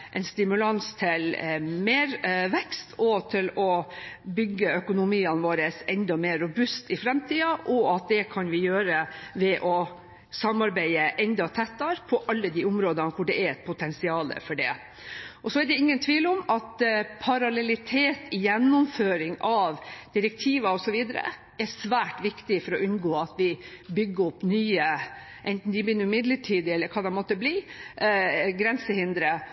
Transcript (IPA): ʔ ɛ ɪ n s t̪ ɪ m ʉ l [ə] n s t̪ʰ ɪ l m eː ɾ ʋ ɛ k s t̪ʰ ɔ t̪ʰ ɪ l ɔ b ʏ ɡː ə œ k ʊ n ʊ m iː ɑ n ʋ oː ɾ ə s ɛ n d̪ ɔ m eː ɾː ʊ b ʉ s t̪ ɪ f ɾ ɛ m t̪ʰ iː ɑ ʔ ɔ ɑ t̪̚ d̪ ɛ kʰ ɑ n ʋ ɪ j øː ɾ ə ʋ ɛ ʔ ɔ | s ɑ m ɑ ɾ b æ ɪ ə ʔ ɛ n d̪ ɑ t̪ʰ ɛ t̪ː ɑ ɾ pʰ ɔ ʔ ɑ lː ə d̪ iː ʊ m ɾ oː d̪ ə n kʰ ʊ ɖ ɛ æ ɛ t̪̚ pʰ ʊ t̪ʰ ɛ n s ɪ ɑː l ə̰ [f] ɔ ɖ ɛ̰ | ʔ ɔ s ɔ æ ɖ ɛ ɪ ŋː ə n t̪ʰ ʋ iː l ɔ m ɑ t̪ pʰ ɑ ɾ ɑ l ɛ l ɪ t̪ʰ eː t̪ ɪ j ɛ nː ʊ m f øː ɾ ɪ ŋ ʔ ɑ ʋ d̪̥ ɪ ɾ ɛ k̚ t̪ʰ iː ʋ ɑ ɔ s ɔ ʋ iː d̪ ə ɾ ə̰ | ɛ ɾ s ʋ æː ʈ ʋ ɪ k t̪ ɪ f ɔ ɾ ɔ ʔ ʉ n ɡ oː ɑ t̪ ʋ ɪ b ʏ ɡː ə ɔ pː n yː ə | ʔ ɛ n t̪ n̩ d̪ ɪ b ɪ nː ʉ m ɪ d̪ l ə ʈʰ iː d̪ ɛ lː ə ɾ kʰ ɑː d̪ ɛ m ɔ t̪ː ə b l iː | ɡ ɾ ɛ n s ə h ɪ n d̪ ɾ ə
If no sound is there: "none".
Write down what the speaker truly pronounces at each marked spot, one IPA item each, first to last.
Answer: ɑ, f

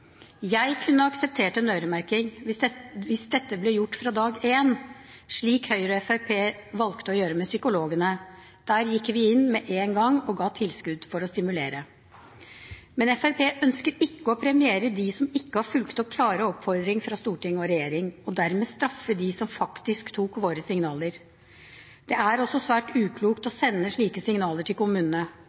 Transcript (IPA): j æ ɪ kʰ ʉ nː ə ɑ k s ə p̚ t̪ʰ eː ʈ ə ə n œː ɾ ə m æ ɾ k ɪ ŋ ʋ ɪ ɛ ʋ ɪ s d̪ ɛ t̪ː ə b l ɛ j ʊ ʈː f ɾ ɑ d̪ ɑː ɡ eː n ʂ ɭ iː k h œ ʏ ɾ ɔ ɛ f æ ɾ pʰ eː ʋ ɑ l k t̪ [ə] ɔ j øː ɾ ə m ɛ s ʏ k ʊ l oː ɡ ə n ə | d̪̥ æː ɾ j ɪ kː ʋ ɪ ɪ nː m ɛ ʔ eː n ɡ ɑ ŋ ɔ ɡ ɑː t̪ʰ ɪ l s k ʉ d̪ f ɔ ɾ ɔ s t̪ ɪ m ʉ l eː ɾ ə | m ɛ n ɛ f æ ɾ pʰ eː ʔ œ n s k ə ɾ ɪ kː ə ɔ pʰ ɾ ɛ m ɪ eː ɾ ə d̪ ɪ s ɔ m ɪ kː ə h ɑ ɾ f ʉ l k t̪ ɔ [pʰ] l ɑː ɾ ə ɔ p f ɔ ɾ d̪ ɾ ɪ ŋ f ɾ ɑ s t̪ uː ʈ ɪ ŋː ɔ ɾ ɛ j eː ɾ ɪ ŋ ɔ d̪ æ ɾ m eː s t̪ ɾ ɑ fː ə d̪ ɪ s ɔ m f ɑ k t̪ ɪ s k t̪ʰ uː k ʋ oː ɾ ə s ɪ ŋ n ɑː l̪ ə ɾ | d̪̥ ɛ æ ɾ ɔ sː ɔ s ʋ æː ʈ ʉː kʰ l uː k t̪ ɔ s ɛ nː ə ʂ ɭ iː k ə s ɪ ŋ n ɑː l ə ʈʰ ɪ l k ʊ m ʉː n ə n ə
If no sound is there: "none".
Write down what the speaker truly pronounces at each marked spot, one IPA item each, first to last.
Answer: ə, kʰ

